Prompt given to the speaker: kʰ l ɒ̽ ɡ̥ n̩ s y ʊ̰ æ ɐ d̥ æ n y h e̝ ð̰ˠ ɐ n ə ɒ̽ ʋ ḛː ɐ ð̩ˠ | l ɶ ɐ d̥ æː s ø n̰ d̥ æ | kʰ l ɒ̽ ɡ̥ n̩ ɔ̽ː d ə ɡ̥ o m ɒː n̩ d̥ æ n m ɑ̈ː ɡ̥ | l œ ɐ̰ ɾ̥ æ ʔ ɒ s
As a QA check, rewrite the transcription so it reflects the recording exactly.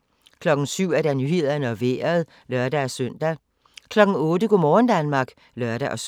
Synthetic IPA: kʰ l ɒ̽ ɡ̥ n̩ s y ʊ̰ æ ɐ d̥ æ n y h e̝ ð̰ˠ ɐ n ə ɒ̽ ʋ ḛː ɐ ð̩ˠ | l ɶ ɐ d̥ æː s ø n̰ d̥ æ | kʰ l ɒ̽ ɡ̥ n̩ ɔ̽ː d ə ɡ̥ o m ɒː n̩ d̥ æ n m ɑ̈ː ɡ̥ | l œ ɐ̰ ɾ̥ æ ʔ ɒ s